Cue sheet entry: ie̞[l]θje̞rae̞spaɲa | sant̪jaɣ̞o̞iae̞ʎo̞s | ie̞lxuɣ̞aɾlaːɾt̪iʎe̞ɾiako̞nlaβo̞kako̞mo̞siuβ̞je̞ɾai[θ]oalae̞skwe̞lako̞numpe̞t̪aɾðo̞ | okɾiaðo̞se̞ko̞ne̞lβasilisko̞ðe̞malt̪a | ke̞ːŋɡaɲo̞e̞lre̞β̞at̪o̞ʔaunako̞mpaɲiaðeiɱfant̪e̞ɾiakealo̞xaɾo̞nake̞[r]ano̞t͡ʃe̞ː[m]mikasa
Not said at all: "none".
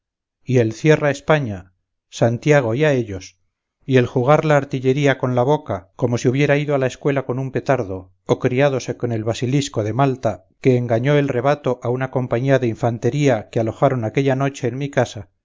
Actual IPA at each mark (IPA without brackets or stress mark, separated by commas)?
l, ð, ʎ, n